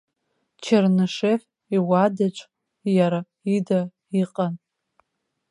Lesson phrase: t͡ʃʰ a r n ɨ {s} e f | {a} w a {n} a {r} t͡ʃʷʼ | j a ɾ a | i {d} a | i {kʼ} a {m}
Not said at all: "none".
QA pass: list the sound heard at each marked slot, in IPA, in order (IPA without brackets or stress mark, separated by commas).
ʂ, i, d, none, d, qʼ, n